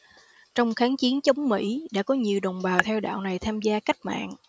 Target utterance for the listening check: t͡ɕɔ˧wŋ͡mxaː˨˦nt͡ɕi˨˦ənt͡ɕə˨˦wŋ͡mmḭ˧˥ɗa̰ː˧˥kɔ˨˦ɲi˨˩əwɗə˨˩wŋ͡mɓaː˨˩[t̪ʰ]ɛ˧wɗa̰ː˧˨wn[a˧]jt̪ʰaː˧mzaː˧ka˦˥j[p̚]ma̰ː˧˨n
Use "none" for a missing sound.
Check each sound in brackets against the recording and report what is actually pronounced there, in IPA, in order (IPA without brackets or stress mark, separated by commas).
t̪ʰ, a˨˩, k̚